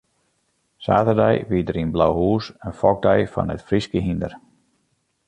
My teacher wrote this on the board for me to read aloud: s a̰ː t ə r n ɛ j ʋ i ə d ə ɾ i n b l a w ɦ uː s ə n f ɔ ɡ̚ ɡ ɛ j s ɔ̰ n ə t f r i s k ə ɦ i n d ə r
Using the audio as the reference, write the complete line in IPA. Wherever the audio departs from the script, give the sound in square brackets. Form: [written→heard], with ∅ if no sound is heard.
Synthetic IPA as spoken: s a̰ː t ə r [n→d] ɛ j ʋ i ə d ə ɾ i n b l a w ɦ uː s ə n f ɔ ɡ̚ [ɡ→d] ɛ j [s→f] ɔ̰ n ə t f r i s k ə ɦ i n d ə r

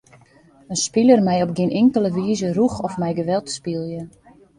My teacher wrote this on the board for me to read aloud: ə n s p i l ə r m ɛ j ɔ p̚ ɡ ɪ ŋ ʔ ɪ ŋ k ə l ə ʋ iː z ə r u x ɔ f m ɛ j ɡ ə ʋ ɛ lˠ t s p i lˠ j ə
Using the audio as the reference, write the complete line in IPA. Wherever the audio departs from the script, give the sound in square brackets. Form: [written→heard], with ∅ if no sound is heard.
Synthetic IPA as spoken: ə n s p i l ə r m ɛ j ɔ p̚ ɡ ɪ [ŋ→n] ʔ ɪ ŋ k ə l ə ʋ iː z ə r u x ɔ f m ɛ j ɡ ə ʋ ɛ lˠ t s p i lˠ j ə

